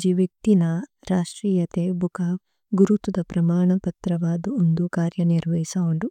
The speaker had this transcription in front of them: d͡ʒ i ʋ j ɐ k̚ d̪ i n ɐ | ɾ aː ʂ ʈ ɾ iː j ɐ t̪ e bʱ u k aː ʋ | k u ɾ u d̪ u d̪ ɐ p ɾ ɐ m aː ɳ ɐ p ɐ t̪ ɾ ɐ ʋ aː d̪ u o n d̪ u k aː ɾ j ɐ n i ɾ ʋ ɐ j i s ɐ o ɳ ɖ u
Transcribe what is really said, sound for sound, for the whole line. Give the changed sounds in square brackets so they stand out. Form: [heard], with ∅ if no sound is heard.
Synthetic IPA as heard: d͡ʒ i ʋ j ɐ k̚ [t̪] i n ɐ | ɾ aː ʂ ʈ ɾ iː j ɐ t̪ e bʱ u k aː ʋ | [ɡ] u ɾ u [t̪] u d̪ ɐ p ɾ ɐ m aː ɳ ɐ p ɐ t̪ ɾ ɐ ʋ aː d̪ u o n d̪ u k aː ɾ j ɐ n i ɾ ʋ ɐ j i s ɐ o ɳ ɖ u